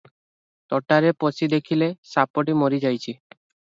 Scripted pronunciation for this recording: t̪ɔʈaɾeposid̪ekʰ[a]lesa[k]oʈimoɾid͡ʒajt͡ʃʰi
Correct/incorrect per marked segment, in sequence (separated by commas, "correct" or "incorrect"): incorrect, incorrect